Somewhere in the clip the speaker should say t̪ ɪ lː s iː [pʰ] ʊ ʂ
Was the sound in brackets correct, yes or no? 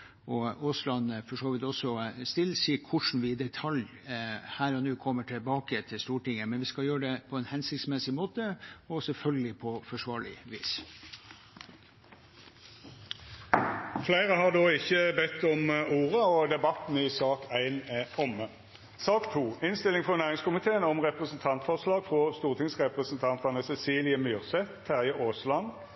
no